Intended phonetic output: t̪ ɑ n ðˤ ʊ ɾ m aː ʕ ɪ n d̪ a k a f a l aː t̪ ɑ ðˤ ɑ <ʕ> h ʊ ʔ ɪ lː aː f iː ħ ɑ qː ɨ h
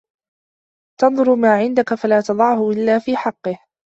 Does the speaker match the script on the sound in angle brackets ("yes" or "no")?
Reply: yes